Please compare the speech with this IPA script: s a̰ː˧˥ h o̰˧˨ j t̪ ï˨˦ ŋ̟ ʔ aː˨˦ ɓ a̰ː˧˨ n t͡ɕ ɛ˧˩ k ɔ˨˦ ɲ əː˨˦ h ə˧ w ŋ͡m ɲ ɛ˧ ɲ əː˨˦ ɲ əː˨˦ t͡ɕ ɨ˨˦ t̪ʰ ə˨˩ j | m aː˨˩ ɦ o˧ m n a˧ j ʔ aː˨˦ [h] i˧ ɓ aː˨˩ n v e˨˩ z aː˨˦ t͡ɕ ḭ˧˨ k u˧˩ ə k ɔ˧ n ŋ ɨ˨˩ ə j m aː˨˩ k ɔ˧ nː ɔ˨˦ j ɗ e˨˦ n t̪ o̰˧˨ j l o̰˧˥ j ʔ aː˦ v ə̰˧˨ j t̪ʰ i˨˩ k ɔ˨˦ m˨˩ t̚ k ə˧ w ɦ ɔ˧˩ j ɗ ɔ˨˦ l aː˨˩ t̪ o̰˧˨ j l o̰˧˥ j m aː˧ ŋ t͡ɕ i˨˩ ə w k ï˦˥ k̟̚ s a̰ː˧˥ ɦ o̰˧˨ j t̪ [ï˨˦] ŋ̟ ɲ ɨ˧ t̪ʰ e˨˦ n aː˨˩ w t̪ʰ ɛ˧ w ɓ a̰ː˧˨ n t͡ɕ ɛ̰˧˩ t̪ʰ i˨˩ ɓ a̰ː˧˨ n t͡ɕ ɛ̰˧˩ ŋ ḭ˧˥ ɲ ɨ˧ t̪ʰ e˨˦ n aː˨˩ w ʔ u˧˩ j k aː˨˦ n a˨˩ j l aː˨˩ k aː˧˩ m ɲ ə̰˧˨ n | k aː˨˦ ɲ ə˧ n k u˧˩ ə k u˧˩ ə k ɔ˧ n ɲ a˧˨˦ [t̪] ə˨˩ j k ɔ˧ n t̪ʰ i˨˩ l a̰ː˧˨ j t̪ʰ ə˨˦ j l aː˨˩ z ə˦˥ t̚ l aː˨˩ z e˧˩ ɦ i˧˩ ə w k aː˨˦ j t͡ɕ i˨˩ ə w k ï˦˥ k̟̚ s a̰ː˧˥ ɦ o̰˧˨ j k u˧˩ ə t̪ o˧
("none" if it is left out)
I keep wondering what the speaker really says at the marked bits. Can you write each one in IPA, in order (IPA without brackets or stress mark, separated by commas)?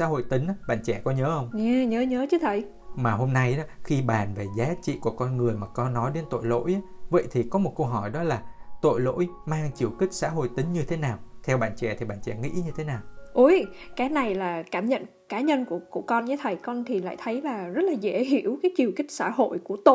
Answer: x, ï˨˦, t̪ʰ